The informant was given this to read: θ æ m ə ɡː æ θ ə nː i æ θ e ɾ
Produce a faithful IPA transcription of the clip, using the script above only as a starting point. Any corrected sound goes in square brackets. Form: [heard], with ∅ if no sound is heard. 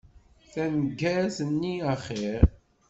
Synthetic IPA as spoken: θ æ [n] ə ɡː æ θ ə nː i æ [χ] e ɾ